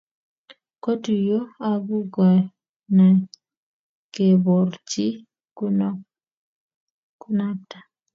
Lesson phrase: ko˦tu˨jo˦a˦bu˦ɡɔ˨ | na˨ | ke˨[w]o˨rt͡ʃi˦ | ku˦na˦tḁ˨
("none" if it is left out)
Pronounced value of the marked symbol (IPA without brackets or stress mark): b